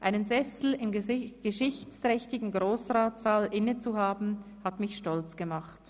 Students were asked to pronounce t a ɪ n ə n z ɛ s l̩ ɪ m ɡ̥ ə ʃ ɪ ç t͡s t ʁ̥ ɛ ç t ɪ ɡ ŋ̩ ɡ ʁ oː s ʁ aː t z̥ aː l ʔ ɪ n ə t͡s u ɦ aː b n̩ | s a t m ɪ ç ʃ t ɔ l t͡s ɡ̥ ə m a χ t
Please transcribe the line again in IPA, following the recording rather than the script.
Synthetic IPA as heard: ʔ a ɪ n ə n z ɛ s l̩ ɪ m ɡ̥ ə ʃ ɪ ç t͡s t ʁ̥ ɛ ç t ɪ ɡ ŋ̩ ɡ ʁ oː s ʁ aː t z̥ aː l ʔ ɪ n ə t͡s u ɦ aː b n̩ | h a t m ɪ ç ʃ t ɔ l t͡s ɡ̥ ə m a χ t